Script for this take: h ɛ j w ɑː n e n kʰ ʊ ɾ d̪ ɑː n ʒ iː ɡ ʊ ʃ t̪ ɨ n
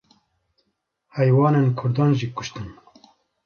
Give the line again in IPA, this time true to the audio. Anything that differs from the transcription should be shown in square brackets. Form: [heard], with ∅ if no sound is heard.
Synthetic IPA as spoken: h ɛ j w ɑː n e n kʰ ʊ ɾ d̪ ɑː n ʒ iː [k] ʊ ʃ t̪ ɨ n